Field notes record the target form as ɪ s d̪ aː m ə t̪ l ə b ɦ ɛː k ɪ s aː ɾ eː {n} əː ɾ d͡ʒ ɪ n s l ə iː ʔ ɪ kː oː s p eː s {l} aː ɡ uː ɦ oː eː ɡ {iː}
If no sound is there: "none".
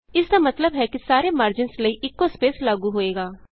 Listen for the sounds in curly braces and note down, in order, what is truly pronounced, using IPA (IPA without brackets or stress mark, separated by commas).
m, l, aː